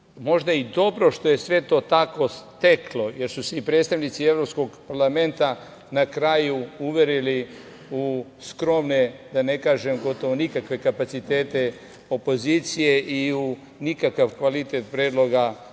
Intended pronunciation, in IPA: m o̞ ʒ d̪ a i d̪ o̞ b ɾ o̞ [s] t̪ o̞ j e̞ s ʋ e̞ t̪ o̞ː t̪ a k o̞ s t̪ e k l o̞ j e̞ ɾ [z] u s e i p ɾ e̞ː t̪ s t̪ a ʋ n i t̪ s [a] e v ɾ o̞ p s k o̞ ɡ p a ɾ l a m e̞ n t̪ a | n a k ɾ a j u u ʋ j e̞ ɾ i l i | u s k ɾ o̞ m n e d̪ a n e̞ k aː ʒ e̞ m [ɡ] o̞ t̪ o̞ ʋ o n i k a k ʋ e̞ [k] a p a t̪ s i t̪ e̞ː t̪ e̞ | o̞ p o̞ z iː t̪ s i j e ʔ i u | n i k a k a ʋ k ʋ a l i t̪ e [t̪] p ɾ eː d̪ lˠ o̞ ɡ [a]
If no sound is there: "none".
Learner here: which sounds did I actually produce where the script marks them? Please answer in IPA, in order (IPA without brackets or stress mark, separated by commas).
ʃ, s, i, ɡ, k, t̪, a